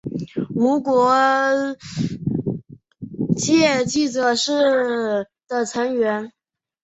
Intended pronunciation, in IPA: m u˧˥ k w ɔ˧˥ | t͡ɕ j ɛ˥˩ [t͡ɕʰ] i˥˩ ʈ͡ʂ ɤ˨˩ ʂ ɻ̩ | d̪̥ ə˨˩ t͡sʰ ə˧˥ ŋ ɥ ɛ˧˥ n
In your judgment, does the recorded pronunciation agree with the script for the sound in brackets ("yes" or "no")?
no